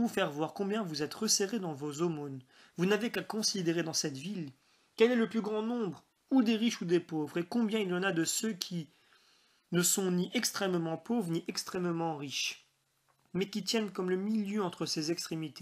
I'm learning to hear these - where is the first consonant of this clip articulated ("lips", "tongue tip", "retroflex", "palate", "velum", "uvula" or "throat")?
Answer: lips